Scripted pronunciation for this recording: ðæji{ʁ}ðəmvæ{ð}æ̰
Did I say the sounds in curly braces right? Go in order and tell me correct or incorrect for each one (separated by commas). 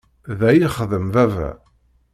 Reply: incorrect, incorrect